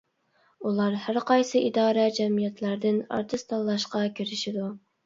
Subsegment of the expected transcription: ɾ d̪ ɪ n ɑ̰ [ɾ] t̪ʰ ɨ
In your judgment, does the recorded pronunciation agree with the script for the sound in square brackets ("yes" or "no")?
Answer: yes